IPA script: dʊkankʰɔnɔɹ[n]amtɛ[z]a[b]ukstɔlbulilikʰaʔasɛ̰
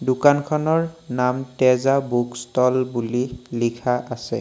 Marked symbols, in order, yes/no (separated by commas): yes, yes, yes